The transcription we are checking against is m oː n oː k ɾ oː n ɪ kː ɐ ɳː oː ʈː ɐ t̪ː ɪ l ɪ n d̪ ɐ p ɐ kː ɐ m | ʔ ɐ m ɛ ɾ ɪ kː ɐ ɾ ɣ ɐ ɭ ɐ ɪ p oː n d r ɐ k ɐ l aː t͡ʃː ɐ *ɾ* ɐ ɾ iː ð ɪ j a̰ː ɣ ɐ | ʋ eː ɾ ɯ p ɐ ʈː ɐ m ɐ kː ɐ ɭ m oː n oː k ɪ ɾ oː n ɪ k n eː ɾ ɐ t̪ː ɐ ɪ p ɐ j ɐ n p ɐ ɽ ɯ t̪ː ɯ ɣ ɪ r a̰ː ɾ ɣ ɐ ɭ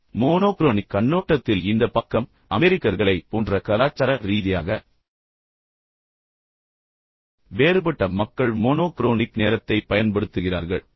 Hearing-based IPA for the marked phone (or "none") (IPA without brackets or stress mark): ɾ